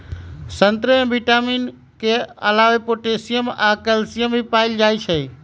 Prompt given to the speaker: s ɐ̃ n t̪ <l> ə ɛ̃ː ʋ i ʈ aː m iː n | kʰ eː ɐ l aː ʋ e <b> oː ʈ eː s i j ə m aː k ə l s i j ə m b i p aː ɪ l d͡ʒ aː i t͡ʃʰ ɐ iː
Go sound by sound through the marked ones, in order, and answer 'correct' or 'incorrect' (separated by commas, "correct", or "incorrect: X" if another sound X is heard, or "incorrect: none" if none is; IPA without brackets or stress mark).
incorrect: ɾ, incorrect: p